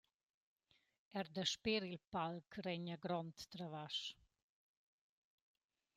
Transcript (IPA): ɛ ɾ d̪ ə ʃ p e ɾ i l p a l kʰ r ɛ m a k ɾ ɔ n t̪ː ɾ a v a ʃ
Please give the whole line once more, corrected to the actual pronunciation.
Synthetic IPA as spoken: ɛ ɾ d̪ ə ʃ p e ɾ i l p a l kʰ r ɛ ɲ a ɡ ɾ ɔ n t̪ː ɾ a v a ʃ